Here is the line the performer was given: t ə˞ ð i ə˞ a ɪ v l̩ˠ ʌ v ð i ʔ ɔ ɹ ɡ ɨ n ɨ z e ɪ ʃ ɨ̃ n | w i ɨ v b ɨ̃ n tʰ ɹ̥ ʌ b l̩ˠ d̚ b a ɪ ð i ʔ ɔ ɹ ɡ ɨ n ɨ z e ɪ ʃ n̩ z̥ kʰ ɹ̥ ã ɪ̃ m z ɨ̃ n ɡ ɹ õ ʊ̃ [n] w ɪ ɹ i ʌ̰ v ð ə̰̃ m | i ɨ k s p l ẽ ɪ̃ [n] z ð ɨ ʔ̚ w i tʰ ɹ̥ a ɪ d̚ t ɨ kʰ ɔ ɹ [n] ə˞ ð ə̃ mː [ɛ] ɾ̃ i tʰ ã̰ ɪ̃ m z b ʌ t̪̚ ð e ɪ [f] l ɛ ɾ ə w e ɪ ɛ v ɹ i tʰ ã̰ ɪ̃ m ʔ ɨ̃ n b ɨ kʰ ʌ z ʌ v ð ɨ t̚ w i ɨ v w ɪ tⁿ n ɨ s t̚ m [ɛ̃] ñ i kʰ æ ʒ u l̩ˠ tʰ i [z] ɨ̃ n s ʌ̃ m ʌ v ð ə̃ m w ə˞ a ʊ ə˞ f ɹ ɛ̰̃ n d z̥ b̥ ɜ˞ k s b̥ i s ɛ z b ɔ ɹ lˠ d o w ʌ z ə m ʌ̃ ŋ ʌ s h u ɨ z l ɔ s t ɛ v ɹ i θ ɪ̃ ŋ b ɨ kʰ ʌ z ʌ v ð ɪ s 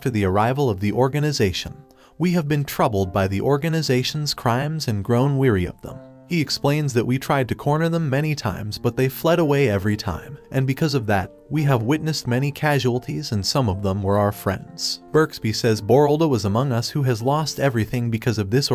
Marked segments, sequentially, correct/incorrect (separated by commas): correct, correct, correct, correct, correct, incorrect, correct